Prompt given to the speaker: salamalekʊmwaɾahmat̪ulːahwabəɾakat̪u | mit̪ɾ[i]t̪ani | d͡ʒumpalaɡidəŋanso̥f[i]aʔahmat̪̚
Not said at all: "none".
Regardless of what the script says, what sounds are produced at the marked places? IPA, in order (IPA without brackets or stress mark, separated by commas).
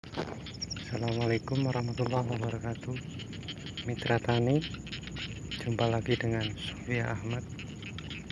a, i